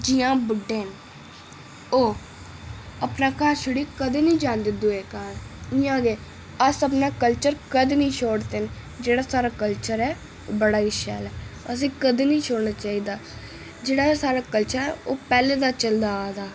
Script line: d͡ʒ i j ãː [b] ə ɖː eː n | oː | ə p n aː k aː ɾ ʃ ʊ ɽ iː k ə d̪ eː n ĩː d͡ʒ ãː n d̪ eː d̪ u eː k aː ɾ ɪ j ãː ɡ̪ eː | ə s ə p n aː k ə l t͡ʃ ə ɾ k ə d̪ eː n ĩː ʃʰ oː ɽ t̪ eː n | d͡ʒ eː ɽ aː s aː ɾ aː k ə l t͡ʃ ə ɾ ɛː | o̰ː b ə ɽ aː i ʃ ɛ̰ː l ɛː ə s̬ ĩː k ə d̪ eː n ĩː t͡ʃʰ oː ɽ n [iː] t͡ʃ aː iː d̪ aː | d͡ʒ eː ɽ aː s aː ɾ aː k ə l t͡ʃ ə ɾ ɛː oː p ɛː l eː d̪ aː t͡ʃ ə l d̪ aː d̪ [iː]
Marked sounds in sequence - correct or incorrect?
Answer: correct, incorrect: aː, incorrect: aː

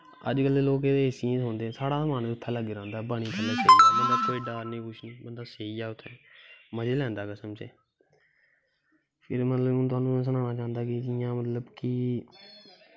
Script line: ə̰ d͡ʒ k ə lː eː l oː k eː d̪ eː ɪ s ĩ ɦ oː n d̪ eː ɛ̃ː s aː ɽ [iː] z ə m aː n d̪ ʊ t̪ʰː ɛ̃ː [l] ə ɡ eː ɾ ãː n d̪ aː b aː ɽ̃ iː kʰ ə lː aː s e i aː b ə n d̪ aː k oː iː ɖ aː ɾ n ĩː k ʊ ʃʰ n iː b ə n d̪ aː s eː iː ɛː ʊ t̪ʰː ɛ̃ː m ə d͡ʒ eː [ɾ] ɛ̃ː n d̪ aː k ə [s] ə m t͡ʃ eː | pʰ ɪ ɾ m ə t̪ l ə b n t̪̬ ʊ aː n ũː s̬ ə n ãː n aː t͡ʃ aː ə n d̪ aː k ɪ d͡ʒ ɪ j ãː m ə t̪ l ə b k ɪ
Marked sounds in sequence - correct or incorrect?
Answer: incorrect: aː, correct, incorrect: l, correct

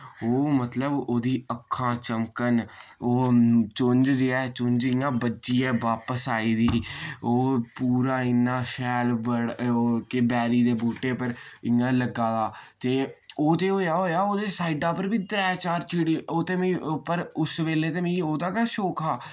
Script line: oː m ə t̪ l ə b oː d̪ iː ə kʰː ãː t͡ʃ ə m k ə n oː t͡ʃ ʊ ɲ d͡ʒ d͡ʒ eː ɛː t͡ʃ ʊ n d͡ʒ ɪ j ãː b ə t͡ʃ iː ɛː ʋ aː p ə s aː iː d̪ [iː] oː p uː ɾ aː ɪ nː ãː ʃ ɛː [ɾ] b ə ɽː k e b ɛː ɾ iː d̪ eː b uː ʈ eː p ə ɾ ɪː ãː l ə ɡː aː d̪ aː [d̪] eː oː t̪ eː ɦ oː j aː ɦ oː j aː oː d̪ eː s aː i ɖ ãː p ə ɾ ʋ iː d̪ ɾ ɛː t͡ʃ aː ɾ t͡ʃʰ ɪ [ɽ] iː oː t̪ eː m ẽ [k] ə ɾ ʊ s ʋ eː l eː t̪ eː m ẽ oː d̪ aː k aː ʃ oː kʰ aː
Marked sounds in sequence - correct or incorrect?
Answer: correct, incorrect: l, incorrect: t̪, correct, incorrect: p

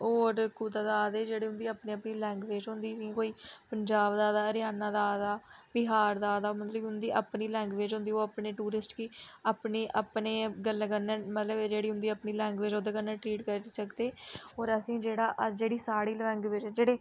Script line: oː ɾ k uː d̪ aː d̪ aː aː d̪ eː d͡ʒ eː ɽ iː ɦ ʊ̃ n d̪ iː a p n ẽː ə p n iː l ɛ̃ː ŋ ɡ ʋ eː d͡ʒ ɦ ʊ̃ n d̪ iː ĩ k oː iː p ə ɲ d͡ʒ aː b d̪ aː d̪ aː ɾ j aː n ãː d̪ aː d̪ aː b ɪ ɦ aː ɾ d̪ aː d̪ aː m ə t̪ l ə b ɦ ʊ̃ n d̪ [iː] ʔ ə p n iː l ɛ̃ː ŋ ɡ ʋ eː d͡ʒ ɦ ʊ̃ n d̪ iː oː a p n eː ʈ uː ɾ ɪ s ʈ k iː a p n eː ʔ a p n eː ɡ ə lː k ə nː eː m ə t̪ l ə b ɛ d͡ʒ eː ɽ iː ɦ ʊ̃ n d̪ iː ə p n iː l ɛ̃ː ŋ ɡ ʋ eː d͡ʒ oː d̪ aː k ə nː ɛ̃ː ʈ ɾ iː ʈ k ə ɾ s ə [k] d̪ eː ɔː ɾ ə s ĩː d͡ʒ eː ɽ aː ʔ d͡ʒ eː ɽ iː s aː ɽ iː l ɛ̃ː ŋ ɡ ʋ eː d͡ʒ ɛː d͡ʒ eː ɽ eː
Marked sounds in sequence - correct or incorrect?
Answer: correct, correct

